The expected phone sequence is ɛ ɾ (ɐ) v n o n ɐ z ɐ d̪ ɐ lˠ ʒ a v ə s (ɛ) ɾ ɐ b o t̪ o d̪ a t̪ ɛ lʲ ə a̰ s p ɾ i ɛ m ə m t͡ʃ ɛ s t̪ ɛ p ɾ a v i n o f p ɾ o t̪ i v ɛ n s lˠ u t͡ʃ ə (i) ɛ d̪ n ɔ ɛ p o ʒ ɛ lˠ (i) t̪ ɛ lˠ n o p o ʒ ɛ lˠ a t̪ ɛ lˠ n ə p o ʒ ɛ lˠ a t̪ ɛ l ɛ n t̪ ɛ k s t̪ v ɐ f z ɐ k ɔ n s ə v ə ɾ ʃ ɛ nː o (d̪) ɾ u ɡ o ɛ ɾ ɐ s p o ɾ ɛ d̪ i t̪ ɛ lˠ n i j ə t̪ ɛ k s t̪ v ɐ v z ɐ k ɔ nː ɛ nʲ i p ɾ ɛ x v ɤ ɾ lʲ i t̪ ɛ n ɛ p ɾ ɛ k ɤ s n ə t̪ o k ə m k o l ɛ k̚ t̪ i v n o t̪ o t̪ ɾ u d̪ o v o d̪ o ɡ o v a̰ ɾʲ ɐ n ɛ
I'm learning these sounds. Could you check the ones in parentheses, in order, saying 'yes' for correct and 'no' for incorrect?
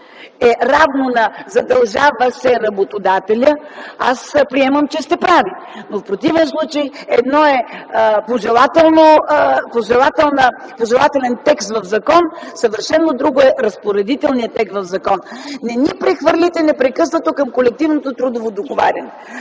no, yes, no, no, yes

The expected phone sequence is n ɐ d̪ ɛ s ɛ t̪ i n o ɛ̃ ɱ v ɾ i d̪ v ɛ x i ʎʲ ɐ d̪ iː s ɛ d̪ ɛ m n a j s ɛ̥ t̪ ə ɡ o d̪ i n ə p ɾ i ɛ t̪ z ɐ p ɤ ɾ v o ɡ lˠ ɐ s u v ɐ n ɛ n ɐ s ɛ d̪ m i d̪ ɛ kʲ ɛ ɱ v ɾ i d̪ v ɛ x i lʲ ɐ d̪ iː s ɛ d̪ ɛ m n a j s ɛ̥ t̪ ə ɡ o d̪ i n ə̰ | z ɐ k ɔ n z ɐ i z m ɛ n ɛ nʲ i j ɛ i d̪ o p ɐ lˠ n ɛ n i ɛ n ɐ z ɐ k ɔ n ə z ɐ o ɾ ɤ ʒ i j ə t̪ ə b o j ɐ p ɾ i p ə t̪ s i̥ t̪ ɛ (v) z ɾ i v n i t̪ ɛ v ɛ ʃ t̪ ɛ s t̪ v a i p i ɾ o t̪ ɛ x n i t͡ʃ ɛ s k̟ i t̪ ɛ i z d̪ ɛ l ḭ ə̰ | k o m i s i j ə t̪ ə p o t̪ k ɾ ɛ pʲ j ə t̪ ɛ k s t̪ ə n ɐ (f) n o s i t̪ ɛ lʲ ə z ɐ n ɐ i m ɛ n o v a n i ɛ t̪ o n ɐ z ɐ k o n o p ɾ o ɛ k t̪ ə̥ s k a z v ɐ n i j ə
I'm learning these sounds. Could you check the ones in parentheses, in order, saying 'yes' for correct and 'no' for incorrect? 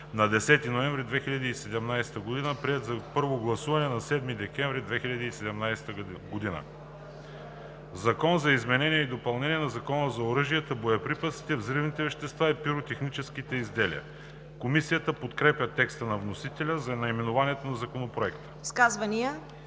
yes, no

